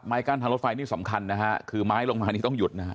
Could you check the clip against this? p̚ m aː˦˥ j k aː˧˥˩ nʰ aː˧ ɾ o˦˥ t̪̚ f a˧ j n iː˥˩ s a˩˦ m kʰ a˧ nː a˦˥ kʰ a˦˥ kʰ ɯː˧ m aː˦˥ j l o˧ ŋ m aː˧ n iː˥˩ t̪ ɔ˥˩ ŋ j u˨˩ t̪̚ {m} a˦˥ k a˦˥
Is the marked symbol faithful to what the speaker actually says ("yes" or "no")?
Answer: no